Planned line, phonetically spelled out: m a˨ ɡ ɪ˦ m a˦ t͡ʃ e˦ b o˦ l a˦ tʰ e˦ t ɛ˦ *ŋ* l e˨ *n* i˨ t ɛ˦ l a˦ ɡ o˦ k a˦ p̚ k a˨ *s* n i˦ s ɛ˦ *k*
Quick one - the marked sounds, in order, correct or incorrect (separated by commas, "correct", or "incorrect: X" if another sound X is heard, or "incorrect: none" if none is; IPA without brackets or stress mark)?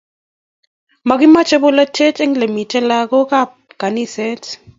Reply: correct, incorrect: m, incorrect: none, incorrect: t